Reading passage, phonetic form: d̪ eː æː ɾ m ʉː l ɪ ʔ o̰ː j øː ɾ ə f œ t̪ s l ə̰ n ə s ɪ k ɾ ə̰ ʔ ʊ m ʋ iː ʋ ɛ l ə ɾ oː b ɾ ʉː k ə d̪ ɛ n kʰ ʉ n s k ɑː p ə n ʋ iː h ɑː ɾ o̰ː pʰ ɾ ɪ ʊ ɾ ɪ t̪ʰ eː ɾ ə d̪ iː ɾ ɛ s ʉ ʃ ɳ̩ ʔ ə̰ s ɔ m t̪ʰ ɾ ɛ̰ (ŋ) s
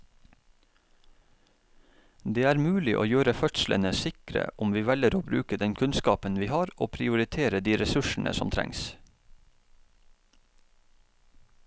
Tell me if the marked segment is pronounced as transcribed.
yes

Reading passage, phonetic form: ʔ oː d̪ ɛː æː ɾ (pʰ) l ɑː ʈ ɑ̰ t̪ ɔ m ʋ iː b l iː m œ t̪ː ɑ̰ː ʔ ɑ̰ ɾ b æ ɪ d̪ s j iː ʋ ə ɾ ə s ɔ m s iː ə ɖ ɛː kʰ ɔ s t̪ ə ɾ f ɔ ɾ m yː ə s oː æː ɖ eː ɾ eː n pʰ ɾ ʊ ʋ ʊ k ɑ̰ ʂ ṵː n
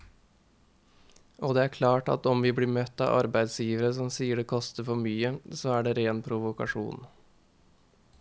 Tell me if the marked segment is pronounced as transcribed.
no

